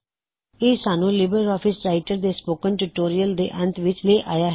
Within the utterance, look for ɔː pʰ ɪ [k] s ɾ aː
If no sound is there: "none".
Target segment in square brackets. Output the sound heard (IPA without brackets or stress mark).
none